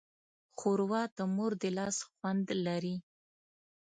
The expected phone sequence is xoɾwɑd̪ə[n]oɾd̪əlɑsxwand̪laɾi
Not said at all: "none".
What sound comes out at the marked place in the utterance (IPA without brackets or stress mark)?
m